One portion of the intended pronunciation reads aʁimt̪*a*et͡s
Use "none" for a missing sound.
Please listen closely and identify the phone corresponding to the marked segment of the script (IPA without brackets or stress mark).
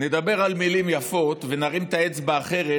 a